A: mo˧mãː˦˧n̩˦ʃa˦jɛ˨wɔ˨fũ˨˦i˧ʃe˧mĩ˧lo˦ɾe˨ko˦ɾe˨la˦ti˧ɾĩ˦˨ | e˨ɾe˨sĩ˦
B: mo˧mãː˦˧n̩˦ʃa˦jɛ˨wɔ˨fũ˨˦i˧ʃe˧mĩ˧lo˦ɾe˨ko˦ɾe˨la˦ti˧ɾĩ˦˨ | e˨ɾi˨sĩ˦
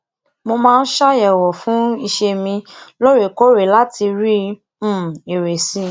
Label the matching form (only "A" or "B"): A